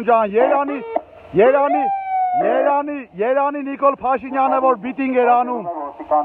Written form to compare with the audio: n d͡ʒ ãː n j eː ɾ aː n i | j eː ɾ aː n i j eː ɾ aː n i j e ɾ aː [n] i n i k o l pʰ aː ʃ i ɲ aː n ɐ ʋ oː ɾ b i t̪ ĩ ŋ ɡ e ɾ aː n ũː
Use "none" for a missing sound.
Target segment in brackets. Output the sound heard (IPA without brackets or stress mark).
n